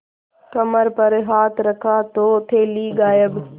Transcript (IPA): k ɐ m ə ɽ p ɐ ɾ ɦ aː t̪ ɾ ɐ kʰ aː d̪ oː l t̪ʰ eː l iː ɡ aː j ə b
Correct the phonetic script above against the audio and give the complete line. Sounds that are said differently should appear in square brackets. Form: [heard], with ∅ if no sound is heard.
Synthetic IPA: k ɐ m ə [ɾ] p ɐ ɾ ɦ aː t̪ ɾ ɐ kʰ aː [t̪] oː [∅] t̪ʰ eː l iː ɡ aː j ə b